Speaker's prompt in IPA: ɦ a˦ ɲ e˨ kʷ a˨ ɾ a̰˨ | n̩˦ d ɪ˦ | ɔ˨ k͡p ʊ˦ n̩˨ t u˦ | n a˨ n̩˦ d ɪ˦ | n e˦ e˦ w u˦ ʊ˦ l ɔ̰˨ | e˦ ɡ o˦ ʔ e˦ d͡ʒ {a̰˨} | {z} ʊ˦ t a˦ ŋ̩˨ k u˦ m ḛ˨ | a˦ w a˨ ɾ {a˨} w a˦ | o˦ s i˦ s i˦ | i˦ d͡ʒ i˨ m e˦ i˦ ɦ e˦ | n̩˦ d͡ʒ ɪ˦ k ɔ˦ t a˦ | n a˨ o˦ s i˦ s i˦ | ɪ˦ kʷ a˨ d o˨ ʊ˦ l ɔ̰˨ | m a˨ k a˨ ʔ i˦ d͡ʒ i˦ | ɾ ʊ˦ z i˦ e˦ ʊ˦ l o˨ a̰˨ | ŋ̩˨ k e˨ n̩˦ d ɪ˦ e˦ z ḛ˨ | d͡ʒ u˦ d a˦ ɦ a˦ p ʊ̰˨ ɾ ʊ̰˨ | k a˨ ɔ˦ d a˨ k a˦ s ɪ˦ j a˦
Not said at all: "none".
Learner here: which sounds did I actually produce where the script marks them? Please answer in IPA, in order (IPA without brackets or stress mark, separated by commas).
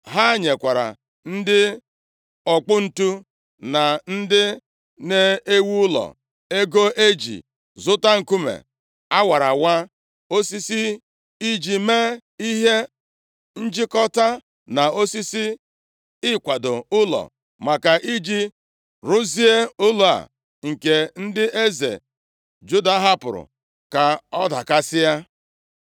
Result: ḭ˨, z, a˨